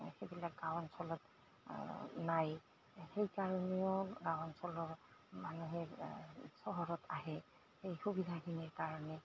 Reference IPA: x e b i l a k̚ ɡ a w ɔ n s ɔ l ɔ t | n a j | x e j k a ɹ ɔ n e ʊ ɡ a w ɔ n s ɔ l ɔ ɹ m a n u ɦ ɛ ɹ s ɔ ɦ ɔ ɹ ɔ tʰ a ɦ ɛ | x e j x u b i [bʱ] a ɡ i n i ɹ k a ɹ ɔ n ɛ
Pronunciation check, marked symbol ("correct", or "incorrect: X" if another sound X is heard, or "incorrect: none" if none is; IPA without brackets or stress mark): incorrect: dʱ